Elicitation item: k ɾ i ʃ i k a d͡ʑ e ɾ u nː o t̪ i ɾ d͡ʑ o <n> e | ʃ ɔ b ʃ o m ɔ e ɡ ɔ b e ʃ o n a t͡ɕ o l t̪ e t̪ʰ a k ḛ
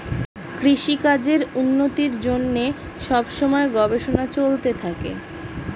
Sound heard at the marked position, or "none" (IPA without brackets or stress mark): nː